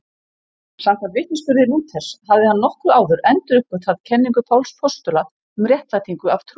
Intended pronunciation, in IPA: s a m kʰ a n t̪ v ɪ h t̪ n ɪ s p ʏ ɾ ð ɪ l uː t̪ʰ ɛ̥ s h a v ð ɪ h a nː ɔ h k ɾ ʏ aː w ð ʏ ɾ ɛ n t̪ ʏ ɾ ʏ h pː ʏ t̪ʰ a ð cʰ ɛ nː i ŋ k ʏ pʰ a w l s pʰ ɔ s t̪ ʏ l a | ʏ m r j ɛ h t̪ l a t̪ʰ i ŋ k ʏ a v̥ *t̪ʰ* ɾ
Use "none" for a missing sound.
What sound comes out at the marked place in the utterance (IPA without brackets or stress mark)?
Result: t̪ʰ